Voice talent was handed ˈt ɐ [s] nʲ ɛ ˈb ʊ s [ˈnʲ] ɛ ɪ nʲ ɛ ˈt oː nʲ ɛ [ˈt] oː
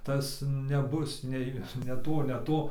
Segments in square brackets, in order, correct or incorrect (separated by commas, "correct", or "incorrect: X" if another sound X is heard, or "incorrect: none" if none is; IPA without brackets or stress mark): correct, correct, correct